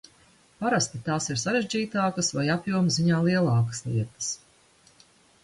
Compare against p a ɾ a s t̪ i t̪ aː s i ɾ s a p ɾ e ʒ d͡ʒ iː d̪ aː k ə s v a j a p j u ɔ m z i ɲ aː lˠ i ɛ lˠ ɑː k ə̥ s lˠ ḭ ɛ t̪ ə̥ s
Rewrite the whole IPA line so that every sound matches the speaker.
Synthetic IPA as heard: p a ɾ a s t̪ i t̪ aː s i ɾ s a ɾ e ʒ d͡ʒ iː t̪ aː k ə s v a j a p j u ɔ m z i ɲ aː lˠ i ɛ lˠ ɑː k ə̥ s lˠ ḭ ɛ t̪ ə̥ s